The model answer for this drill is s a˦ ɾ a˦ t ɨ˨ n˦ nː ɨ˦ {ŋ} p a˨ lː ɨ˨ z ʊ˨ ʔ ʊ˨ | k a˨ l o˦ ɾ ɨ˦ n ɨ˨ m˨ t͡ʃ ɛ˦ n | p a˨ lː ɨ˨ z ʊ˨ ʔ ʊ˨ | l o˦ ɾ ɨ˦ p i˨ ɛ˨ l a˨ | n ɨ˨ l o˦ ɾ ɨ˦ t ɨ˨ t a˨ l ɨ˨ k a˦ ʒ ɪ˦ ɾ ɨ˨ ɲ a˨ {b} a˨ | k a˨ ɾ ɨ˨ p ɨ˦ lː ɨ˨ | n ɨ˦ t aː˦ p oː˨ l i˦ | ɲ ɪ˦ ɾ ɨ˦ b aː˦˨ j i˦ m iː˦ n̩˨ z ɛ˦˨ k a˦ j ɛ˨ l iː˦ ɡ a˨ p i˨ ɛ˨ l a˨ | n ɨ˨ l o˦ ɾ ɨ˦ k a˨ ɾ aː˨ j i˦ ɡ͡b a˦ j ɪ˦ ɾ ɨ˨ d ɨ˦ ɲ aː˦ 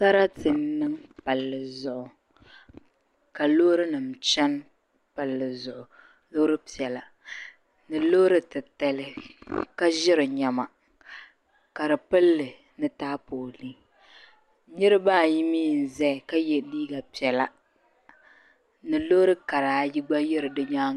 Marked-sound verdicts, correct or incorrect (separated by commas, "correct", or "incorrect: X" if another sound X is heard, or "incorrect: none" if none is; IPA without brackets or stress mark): correct, incorrect: m